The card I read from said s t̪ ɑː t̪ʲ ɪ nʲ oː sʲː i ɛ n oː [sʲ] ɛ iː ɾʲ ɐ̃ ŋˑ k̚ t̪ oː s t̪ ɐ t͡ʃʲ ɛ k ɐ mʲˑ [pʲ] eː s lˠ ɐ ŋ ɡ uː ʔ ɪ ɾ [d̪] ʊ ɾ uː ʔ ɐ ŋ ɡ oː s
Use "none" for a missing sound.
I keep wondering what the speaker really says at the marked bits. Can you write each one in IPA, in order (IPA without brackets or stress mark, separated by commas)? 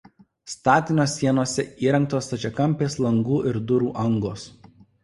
sʲ, pʲ, d̪